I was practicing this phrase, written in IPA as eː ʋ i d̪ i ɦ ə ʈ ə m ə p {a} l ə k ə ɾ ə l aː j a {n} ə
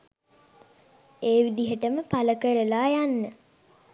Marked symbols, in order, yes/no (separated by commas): yes, no